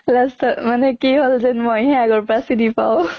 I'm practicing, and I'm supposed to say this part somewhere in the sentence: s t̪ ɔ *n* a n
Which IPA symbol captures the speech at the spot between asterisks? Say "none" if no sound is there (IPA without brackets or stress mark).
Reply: m